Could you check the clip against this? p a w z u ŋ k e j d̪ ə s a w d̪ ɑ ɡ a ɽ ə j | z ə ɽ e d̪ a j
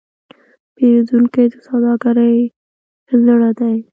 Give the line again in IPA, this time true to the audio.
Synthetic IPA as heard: p e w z u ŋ k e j d̪ ə s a w d̪ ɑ ɡ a ɾ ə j | z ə ɽ a d̪ a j